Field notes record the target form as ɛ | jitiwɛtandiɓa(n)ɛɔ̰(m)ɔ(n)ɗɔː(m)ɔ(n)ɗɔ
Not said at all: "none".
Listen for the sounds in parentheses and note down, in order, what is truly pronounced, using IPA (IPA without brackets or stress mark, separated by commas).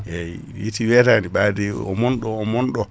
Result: d, m, n, m, n